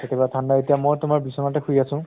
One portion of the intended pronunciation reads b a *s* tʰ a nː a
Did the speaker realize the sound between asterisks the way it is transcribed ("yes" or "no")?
no